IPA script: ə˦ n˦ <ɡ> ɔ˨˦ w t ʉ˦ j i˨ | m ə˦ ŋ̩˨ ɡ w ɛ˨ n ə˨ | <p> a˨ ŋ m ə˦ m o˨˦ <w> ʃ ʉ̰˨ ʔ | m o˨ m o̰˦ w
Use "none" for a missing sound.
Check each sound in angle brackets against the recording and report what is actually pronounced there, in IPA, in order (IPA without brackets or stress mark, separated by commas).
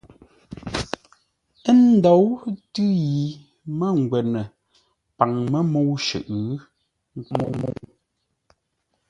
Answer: d, p, w